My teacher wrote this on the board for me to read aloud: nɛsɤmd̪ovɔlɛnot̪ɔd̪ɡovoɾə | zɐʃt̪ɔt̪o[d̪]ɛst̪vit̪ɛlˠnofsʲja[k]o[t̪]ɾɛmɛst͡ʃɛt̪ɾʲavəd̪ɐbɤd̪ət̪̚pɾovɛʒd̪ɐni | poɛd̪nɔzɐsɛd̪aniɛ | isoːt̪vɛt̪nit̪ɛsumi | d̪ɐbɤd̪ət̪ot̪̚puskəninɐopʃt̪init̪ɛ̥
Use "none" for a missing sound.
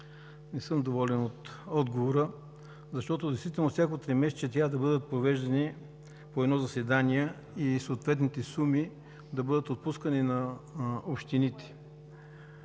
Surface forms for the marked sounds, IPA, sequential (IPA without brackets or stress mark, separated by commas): d̪, k, t̪